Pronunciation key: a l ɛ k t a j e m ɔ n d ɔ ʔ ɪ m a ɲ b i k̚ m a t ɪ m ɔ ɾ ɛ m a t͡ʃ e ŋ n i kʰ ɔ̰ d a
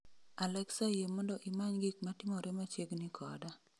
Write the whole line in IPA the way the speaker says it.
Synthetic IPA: a l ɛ k s a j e m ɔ n d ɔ ʔ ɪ m a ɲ ɡ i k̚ m a t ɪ m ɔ ɾ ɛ m a t͡ʃ e ɡ n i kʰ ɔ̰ d a